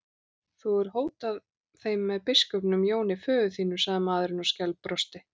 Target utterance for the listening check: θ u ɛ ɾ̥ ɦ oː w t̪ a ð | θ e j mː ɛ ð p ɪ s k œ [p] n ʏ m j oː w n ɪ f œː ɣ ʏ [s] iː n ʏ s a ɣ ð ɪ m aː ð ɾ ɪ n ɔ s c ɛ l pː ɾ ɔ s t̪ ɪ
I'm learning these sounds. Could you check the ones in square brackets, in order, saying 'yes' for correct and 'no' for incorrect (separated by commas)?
yes, no